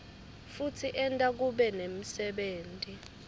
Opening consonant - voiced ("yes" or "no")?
no